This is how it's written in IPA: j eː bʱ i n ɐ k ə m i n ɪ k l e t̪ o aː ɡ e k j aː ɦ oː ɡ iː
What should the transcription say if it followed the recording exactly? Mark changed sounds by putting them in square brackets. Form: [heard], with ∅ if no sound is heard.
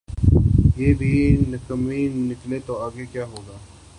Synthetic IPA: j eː bʱ i n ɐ k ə m i n ɪ k l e t̪ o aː ɡ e k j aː ɦ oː ɡ [aː]